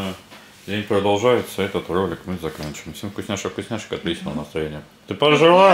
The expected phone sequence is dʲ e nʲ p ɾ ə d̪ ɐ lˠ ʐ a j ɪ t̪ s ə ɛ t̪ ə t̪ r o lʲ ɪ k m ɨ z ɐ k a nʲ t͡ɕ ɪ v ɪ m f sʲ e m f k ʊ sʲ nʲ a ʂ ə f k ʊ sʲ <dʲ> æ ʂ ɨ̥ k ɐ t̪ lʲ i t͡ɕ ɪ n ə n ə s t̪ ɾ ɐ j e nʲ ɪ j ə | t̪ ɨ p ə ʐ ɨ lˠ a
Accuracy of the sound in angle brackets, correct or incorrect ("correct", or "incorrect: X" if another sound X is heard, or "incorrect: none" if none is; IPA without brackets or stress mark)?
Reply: incorrect: nʲ